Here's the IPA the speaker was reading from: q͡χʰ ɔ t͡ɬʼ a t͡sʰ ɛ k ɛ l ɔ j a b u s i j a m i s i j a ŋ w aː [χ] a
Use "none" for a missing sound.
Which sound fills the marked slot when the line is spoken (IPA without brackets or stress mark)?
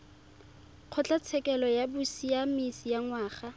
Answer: χ